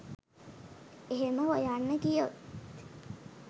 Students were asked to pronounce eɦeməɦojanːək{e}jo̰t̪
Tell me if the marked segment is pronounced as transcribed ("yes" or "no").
no